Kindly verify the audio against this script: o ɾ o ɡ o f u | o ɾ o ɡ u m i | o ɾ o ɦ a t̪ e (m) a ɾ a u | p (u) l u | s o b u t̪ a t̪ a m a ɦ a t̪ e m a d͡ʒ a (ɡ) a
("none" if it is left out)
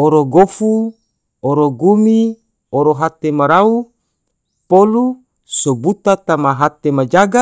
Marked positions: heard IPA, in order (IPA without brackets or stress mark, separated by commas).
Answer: m, o, ɡ